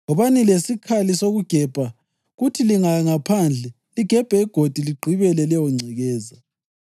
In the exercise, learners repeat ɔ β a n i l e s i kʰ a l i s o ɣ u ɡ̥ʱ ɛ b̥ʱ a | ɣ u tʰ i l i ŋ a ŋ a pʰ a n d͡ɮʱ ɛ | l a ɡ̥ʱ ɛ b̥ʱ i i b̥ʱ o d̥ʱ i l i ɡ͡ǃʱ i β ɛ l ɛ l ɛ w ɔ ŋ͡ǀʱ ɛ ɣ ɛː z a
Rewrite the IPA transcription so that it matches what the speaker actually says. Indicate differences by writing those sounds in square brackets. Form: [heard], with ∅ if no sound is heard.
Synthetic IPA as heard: ɔ β a n i l e s i kʰ a l i s o ɣ u ɡ̥ʱ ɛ b̥ʱ a | ɣ u tʰ i l i ŋ a ŋ a pʰ a n d͡ɮʱ ɛ | l [i] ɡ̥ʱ ɛ b̥ʱ [ɛ] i [ɡ̥ʱ] o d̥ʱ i l i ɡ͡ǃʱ i β ɛ l ɛ l ɛ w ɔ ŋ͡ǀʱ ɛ ɣ ɛː z a